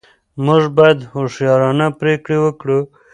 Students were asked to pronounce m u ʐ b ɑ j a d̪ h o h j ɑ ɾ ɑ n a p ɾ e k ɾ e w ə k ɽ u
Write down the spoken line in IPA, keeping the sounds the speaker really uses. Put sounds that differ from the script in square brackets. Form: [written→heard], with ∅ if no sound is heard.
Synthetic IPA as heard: m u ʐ b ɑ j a d̪ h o [h→ʂ] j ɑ ɾ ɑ n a p ɾ e k [ɾ→ɽ] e w ə k ɽ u